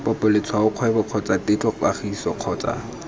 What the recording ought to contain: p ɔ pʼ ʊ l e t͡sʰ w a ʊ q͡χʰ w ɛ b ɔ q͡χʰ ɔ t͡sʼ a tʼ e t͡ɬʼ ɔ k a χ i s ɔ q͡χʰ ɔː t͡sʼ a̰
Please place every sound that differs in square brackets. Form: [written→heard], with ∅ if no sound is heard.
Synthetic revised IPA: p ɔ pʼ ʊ l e t͡sʰ w a ʊ q͡χʰ w ɛ b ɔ q͡χʰ ɔ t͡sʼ a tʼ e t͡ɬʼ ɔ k a χ i s ɔ q͡χʰ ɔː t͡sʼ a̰